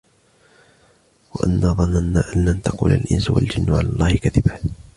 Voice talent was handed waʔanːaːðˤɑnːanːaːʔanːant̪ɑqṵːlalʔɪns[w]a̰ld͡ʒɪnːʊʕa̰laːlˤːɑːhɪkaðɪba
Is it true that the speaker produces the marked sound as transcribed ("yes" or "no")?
yes